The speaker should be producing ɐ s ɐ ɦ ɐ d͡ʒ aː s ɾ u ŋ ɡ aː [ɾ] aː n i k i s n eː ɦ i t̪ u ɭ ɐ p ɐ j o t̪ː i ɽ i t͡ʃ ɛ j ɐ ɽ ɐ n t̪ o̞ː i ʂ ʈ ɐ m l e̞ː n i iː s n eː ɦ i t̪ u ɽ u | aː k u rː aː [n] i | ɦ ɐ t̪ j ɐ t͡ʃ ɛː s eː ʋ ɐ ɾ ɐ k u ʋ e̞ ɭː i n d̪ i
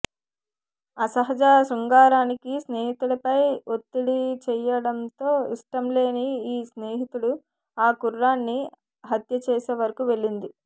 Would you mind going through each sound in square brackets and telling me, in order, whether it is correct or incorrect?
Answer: correct, incorrect: nː

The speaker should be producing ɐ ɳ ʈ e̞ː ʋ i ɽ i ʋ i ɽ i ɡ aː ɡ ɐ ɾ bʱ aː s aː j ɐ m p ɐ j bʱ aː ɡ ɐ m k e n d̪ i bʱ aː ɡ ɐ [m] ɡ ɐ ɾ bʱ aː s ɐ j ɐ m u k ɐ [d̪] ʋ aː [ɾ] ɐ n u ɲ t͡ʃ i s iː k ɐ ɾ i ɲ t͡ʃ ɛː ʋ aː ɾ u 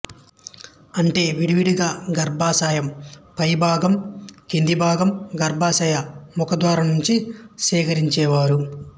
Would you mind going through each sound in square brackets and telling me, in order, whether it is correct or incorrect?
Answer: correct, correct, correct

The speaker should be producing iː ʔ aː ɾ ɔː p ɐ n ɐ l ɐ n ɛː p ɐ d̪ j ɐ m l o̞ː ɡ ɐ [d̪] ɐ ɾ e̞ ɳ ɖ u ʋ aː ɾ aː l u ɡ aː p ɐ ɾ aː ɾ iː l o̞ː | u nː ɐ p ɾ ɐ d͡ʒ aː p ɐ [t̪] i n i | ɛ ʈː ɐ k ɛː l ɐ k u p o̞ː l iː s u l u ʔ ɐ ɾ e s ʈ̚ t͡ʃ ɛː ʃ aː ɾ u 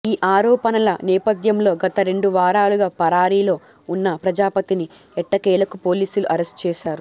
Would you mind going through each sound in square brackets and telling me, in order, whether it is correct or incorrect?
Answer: incorrect: t̪, correct

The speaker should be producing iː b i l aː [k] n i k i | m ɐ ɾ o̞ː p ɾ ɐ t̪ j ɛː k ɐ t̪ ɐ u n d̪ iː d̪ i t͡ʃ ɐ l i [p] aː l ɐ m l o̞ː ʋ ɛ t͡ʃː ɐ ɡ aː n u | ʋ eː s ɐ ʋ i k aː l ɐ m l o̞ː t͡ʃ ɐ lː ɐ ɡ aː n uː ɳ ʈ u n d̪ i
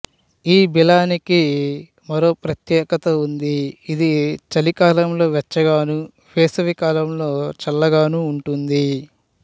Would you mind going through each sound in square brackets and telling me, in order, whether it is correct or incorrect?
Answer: incorrect: none, incorrect: k

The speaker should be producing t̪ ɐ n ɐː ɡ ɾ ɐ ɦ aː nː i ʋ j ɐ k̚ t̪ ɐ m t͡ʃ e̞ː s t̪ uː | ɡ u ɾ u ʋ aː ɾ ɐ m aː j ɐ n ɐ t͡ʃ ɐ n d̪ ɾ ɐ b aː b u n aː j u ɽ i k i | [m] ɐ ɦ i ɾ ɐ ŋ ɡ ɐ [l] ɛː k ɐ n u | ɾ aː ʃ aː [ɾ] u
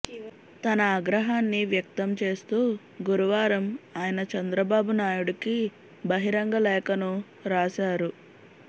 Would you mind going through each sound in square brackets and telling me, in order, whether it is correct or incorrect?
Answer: incorrect: b, correct, correct

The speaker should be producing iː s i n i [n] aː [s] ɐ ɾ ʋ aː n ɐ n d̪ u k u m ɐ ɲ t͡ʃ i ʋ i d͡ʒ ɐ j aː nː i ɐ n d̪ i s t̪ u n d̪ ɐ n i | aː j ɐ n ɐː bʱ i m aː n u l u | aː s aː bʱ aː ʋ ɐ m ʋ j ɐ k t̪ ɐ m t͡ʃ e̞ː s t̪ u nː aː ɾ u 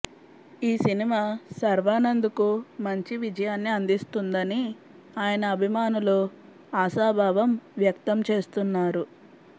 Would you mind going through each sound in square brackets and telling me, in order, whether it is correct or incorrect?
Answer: incorrect: m, correct

